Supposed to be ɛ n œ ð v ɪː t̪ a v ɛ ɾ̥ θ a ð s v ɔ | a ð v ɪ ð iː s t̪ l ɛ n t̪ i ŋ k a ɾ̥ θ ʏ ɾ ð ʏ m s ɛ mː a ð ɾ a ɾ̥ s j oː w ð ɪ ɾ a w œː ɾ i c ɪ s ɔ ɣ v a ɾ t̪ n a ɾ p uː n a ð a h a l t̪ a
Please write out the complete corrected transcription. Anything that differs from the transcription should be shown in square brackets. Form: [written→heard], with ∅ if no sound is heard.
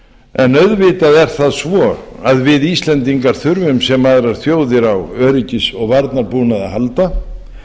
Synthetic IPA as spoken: ɛ n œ ð v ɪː t̪ a [v→ð] ɛ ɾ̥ θ a ð s v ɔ | a ð v ɪ ð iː s t̪ l ɛ n t̪ i ŋ k a ɾ̥ θ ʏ ɾ [ð→v] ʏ m s ɛ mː a ð ɾ a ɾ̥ [s→θ] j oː w ð ɪ ɾ a w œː ɾ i c ɪ s ɔ ɣ v a ɾ t̪ n a ɾ p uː n a ð a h a l t̪ a

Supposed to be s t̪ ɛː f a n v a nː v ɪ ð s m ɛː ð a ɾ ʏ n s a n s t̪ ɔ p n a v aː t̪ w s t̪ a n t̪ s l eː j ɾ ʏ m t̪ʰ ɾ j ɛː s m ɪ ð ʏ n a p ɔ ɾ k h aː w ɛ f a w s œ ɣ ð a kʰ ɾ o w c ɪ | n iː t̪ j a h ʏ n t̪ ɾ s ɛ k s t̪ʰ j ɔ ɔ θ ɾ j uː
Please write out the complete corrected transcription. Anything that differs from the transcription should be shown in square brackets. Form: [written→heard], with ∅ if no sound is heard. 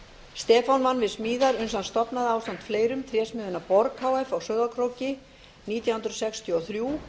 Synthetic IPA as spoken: s t̪ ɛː f a n v a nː v ɪ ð s m [ɛː→iː] ð a ɾ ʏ n s a n s t̪ ɔ p n a [v→ð] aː [t̪→∅] w s t̪ a n t̪ [s→f] l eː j ɾ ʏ m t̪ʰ ɾ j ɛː s m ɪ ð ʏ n a p ɔ ɾ k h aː w ɛ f a w s œ ɣ ð a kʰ ɾ o w c ɪ | n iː t̪ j a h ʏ n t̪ ɾ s ɛ k s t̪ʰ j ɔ ɔ θ ɾ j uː

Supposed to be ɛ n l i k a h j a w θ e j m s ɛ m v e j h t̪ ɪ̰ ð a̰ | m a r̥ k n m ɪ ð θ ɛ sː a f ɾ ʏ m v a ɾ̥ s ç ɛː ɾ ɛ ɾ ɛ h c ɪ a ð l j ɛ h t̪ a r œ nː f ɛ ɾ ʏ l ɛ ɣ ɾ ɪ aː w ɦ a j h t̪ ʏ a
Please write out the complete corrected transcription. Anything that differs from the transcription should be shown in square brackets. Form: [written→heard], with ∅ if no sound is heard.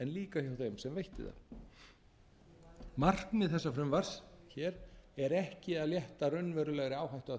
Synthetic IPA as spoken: ɛ n l [i→iː] k a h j a w θ e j m s ɛ m v e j h t̪ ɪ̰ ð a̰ | m a r̥ k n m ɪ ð θ ɛ sː a f ɾ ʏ m v a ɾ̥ s ç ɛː ɾ ɛ ɾ ɛ h c ɪ a ð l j ɛ h t̪ a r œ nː [f→v] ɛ ɾ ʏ l ɛ ɣ ɾ ɪ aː w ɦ a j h t̪ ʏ a

